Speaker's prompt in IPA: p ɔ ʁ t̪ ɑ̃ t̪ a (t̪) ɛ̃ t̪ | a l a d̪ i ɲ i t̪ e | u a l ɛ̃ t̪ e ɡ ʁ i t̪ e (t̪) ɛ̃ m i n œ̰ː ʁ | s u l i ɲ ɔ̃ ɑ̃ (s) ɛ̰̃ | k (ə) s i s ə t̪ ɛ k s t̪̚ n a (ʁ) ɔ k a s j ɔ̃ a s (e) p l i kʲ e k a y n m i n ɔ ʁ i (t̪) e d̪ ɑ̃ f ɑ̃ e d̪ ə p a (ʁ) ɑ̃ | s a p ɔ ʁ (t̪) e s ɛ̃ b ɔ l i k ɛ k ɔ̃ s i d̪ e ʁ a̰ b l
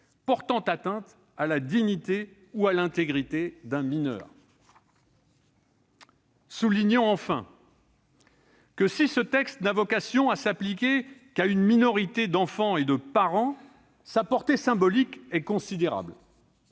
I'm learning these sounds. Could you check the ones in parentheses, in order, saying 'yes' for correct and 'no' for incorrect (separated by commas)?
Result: yes, no, no, yes, no, no, yes, yes, yes